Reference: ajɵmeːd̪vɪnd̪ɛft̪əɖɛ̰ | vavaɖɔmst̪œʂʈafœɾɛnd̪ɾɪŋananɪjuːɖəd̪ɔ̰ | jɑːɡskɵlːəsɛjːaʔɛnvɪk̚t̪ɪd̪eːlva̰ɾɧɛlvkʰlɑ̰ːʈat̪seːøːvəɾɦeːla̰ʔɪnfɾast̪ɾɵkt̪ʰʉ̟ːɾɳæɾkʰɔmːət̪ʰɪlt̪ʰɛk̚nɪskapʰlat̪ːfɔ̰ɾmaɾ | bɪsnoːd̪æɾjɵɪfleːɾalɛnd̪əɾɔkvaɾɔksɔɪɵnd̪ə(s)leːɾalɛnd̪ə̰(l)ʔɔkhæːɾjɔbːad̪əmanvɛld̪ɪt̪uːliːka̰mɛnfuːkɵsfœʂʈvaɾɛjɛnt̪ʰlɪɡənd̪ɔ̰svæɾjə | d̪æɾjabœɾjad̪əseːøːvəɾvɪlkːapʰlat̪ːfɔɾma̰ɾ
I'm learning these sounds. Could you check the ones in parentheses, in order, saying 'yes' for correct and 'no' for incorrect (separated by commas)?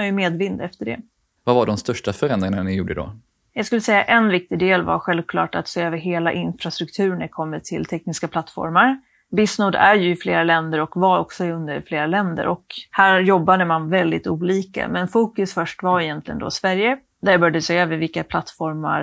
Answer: no, no